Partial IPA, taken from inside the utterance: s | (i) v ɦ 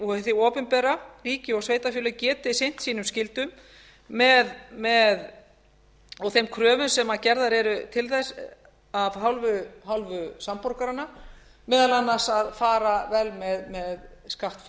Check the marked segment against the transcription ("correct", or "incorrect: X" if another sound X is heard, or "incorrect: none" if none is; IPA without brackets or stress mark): incorrect: a